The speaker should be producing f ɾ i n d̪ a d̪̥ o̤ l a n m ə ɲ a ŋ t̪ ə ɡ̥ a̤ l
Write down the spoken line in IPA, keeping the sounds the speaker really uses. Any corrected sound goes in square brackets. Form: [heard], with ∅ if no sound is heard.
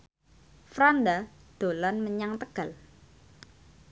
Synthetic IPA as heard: f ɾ [a] n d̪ a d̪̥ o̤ l a n m ə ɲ a ŋ t̪ ə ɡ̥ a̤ l